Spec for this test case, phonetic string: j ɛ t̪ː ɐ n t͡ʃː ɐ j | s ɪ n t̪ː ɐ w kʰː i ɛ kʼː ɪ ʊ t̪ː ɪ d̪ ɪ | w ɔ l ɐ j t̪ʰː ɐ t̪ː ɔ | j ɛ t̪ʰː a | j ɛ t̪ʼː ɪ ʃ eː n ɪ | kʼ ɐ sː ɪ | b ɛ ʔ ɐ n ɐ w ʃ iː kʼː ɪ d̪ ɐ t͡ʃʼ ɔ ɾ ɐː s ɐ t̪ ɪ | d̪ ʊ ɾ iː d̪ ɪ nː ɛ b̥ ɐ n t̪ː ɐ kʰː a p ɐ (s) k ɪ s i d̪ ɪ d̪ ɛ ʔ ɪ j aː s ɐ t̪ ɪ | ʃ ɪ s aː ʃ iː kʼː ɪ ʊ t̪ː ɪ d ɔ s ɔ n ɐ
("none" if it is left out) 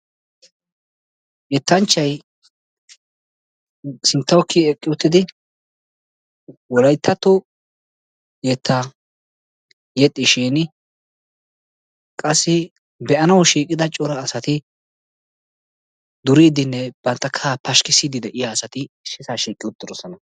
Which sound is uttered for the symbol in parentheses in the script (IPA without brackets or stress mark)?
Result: ʃ